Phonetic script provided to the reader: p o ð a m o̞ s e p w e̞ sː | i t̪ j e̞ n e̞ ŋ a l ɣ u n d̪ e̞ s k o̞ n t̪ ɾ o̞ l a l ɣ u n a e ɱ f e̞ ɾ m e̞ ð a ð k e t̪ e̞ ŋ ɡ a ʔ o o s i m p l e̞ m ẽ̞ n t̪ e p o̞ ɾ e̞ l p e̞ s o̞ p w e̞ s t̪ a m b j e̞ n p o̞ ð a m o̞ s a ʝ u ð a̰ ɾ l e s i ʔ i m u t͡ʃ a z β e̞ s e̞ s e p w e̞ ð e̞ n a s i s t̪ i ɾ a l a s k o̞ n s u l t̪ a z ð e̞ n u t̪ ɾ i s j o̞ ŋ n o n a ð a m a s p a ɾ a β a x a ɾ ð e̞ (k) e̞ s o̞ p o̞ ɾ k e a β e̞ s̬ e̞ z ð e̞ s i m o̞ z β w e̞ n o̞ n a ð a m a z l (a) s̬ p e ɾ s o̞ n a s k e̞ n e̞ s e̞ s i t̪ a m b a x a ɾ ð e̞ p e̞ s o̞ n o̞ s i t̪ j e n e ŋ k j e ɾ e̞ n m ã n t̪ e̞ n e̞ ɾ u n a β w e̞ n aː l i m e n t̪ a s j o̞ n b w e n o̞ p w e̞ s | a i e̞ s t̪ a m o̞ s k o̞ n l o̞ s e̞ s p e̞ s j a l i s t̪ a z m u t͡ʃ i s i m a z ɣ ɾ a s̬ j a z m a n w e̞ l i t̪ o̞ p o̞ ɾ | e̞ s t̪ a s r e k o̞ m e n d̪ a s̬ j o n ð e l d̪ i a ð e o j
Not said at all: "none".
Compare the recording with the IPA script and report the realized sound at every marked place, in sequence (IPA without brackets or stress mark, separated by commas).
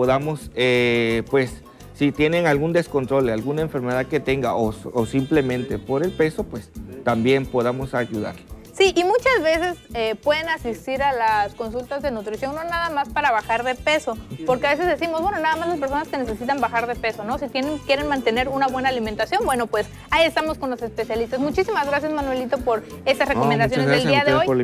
p, a